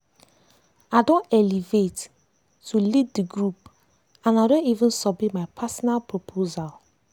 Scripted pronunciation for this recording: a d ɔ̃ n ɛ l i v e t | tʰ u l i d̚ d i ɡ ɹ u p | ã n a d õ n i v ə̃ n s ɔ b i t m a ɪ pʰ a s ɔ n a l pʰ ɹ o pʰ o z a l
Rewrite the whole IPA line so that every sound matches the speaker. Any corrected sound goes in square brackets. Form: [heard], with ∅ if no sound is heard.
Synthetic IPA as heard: a d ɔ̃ n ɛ l i v e t | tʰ u l i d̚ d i ɡ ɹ u p | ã n a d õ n i v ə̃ n s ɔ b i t m a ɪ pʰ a s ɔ n a l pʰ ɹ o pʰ o z a l